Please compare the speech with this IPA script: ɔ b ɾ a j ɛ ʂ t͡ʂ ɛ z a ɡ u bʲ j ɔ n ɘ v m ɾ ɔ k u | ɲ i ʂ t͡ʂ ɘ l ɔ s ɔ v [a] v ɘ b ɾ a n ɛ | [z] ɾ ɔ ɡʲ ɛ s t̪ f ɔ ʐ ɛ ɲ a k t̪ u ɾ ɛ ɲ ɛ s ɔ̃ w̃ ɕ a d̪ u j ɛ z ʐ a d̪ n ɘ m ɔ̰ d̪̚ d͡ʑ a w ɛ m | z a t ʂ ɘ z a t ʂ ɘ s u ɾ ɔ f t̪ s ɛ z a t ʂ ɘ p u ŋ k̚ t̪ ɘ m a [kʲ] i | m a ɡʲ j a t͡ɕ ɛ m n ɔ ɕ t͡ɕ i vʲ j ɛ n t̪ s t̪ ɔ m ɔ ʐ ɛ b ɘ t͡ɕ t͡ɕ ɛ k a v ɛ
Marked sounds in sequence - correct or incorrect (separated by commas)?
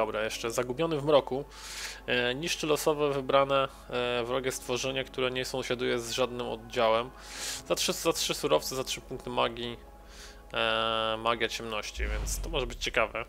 incorrect, incorrect, incorrect